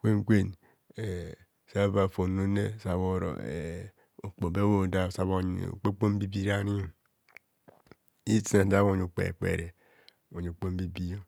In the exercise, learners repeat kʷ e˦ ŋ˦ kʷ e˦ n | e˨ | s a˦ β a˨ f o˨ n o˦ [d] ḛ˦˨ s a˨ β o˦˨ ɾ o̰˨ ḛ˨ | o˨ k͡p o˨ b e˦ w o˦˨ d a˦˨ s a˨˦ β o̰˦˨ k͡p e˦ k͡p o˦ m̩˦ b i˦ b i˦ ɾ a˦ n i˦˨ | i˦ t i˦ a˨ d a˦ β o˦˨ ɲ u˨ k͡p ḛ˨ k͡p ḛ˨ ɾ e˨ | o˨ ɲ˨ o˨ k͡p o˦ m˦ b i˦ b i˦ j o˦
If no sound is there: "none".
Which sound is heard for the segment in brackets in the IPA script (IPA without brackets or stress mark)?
n